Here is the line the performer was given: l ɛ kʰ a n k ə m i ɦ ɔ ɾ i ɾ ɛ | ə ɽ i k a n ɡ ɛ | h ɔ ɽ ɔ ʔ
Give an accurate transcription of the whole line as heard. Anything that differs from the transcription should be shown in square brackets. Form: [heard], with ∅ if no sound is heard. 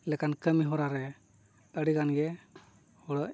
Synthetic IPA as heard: l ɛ [k] a n k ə m i ɦ ɔ ɾ [a] ɾ ɛ | ə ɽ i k a n ɡ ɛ | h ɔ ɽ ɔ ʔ